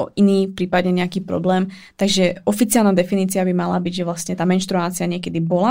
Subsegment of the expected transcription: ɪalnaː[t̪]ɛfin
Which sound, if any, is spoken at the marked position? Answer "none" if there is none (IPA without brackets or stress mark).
d̪